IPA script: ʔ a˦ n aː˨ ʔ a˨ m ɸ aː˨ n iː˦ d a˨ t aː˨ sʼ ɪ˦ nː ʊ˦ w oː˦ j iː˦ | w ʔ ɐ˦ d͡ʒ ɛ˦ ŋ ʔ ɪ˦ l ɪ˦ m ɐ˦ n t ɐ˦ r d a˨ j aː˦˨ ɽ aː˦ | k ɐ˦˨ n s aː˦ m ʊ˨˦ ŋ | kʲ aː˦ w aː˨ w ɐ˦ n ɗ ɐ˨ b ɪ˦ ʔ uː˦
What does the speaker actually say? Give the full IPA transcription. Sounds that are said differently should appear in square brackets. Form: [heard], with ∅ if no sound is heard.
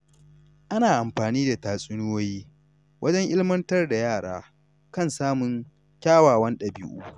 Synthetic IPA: ʔ a˦ n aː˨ ʔ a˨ m ɸ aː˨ n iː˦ d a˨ t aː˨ sʼ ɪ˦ [n] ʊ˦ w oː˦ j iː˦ | w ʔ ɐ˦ d͡ʒ ɛ˦ ŋ ʔ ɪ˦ l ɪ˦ m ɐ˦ n t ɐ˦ r d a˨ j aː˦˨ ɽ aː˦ | k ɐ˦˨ n s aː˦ m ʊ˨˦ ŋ | kʲ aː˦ w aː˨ w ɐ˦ n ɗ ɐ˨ b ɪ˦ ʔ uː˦